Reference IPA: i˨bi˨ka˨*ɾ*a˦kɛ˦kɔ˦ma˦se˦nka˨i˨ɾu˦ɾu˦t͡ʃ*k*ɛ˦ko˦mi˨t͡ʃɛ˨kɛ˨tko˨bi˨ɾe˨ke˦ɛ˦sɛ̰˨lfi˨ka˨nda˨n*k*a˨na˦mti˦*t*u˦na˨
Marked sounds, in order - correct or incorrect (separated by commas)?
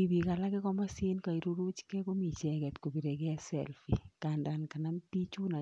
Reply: incorrect, correct, correct, incorrect